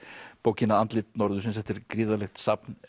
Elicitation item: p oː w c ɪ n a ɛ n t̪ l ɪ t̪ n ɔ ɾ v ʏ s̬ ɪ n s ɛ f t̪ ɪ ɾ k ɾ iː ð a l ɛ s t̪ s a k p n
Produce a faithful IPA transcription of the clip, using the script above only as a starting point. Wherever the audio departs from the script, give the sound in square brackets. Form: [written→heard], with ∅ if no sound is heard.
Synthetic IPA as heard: p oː w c ɪ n a [ɛ→a] n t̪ l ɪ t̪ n ɔ ɾ [v→ð] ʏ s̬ ɪ n s ɛ f t̪ ɪ ɾ k ɾ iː ð a l ɛ [s→x] t̪ s a [k→∅] p n